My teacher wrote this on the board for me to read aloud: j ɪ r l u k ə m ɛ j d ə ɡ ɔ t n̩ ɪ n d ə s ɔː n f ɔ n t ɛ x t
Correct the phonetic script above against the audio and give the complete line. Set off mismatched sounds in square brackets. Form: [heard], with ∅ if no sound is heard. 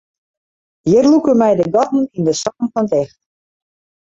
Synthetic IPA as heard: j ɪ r l u k ə m ɛ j d ə ɡ ɔ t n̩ [i] n d ə s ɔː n f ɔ n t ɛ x t